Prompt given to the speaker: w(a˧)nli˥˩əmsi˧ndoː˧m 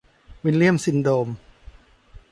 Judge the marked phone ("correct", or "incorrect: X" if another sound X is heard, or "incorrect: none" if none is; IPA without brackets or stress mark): incorrect: i˧